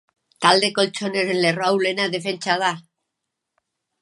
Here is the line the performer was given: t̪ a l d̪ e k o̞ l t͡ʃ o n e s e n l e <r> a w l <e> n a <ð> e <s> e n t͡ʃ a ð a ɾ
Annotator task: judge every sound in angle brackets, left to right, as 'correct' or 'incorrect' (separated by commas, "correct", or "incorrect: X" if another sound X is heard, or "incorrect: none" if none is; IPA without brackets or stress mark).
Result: correct, correct, correct, incorrect: f